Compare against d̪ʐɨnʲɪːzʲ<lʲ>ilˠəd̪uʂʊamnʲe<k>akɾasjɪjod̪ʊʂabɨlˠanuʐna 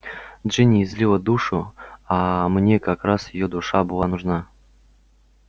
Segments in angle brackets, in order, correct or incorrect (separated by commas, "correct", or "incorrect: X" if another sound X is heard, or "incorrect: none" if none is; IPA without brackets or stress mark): correct, correct